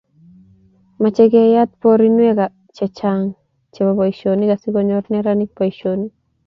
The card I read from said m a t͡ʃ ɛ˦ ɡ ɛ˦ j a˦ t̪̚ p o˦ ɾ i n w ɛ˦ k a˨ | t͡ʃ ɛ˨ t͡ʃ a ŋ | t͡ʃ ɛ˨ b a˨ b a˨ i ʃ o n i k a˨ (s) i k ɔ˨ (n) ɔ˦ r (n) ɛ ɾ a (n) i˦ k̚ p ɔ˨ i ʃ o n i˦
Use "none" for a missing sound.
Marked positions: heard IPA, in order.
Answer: s, ɲ, n, n

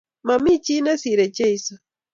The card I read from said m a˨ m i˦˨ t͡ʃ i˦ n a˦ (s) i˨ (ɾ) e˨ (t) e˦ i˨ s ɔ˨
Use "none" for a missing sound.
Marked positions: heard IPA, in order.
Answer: s, ɾ, t͡ʃ

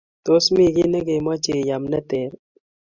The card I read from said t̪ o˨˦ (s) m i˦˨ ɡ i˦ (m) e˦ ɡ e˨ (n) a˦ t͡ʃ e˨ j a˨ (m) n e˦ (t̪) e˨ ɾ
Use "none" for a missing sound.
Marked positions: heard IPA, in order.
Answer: s, n, m, m, t̪

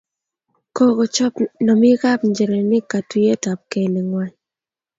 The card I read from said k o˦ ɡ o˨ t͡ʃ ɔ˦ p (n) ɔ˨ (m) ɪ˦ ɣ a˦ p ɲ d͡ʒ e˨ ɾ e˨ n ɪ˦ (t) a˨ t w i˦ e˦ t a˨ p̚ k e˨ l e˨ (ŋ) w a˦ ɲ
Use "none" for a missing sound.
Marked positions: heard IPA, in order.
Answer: n, m, k, ŋ

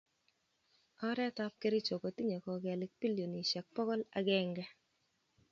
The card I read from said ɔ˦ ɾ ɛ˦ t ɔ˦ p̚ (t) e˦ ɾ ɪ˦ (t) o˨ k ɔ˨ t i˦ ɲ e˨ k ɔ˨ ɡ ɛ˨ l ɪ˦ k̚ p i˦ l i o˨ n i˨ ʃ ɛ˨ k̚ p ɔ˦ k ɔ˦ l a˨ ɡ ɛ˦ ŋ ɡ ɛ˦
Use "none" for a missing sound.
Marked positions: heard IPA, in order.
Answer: k, t͡ʃ

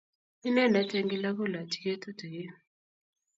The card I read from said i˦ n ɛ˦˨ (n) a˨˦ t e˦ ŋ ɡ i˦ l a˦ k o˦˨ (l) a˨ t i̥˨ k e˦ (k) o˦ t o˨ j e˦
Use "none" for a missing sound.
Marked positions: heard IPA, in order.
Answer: n, l, t

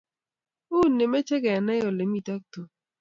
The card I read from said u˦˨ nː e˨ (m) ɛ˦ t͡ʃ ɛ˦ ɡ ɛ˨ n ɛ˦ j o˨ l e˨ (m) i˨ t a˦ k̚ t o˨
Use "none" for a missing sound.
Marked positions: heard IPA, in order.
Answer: m, m

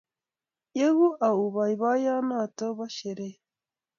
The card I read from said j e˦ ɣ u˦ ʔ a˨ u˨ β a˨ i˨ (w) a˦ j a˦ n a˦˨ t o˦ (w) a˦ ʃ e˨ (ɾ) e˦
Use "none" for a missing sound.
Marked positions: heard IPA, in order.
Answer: β, β, ɾ

